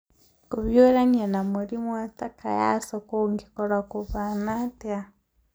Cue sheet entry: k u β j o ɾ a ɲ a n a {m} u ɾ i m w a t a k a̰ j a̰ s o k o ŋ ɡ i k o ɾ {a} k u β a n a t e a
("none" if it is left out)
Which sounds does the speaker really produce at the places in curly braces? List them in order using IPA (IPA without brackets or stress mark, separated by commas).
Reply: m, a